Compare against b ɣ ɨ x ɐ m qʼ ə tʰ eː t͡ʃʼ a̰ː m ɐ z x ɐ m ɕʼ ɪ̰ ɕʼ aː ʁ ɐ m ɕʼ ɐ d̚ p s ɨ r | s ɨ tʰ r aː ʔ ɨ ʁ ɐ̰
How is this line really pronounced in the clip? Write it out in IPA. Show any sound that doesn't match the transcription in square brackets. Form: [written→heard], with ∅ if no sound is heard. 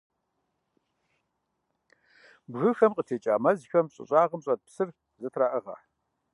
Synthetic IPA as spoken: b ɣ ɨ x ɐ m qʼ ə tʰ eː t͡ʃʼ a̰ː m ɐ z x ɐ m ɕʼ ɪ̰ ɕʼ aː ʁ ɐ m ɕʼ ɐ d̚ p s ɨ r | [s→z] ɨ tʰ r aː ʔ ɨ ʁ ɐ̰